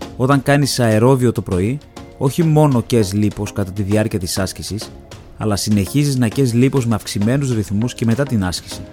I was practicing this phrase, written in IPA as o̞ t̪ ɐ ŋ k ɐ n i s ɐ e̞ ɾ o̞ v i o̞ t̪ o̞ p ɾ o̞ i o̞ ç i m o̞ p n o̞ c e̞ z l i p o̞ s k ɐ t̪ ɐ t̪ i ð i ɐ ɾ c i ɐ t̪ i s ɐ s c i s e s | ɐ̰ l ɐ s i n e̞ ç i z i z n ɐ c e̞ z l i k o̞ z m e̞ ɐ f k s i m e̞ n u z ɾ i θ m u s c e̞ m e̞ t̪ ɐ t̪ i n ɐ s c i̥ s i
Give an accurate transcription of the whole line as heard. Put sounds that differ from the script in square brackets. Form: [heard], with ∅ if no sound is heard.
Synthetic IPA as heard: o̞ t̪ ɐ ŋ k ɐ n i s ɐ e̞ ɾ o̞ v i o̞ t̪ o̞ p ɾ o̞ i o̞ ç i m o̞ [∅] n o̞ c e̞ z l i p o̞ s k ɐ t̪ ɐ t̪ i ð i ɐ ɾ c i ɐ t̪ i s ɐ s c i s [i] s | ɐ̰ l ɐ s i n e̞ ç i z i z n ɐ c e̞ z l i [p] o̞ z m e̞ ɐ f k s i m e̞ n u z ɾ i θ m u s c e̞ m e̞ t̪ ɐ t̪ i n ɐ s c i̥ s i